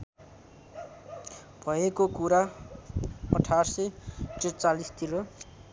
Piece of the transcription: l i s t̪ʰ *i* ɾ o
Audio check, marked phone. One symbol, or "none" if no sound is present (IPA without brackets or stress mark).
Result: i